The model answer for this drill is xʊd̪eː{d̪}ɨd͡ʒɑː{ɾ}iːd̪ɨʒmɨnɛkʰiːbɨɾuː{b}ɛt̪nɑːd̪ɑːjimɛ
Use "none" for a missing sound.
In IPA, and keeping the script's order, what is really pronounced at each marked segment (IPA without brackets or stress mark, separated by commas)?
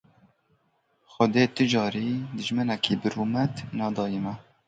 t̪, ɾ, m